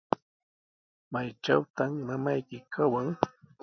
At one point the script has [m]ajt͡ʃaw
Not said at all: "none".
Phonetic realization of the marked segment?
m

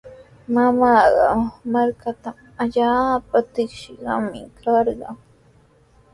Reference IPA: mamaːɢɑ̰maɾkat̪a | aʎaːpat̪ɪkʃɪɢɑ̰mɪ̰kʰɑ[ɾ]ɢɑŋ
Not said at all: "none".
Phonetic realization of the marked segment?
ɾ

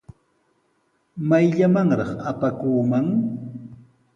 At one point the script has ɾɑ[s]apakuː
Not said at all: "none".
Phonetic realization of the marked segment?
χ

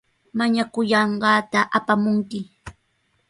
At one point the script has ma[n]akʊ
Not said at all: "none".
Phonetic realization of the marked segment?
ɲ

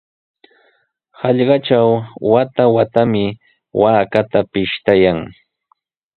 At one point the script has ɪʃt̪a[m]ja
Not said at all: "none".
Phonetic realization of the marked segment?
none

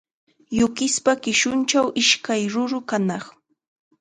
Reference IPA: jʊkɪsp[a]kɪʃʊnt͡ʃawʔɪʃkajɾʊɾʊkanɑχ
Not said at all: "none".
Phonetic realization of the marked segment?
a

